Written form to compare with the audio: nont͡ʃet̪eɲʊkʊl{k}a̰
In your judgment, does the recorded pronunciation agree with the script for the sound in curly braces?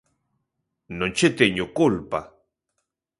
no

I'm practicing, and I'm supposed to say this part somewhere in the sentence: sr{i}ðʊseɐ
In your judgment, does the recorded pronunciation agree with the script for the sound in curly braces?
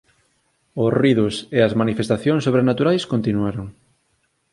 yes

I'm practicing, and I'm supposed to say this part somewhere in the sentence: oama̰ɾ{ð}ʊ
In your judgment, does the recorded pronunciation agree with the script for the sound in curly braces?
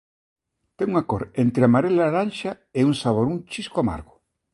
no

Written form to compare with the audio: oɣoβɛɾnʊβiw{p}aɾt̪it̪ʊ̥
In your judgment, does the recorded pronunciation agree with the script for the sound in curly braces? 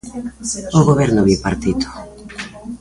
yes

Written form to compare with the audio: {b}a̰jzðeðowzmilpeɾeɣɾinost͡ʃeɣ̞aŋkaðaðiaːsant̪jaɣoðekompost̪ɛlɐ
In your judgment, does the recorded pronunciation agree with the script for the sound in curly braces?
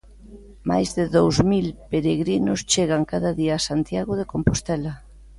no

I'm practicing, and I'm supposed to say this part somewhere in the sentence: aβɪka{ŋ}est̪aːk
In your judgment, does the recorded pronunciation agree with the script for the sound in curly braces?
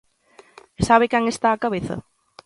yes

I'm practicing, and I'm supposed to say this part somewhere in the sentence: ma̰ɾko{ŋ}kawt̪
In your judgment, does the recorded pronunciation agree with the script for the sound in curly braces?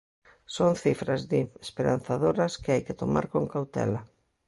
yes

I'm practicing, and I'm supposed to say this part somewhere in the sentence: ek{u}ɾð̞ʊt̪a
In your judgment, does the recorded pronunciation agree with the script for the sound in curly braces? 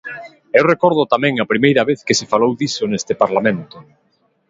no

